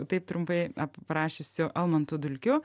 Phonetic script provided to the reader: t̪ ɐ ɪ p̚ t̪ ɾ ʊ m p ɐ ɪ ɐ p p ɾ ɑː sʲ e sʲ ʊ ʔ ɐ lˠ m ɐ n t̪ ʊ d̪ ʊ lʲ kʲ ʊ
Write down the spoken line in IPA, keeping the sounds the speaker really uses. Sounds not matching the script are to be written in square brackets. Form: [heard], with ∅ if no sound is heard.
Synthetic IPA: t̪ ɐ ɪ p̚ t̪ ɾ ʊ m p ɐ ɪ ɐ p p ɾ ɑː [ʃʲ] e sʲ ʊ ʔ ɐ lˠ m ɐ n t̪ ʊ d̪ ʊ lʲ kʲ ʊ